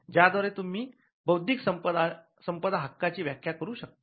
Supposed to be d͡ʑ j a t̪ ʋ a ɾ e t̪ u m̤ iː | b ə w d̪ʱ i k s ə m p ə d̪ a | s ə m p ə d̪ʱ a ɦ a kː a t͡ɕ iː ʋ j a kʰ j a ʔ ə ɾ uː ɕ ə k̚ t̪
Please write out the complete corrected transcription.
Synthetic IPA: d͡ʑ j a d̪ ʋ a ɾ e t̪ u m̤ iː | b ə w d̪ʱ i k s ə m p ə d̪ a | s ə m p ə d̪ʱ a ɦ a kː a t͡ɕ iː ʋ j a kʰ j a k ə ɾ uː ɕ ə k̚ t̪

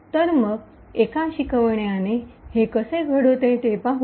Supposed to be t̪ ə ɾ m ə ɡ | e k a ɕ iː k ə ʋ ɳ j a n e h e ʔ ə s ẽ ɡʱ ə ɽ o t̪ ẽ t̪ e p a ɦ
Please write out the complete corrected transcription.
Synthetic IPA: t̪ ə ɾ m ə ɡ | e k a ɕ i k ə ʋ ɳ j a n e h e k ə s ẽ ɡʱ ə ɽ o t̪ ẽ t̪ e p a ɦ

